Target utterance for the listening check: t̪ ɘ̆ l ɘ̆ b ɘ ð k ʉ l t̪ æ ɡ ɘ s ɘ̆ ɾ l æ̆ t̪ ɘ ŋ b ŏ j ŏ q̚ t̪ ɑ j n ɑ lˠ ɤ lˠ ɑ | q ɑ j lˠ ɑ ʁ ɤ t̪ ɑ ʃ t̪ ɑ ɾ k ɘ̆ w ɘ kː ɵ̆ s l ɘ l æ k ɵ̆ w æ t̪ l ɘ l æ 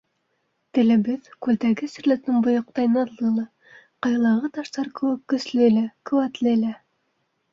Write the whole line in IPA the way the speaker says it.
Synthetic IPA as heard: t̪ ɘ̆ l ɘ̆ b ɘ ð k ʉ l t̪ æ ɡ ɘ s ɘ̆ ɾ l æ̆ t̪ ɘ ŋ b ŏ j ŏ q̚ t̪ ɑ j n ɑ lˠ ɤ lˠ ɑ | q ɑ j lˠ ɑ ʁ ɤ t̪ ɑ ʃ t̪ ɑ ɾ k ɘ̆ w ɘ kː ɵ̆ s l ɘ l æ k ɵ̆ w æ t̪ l ɘ l æ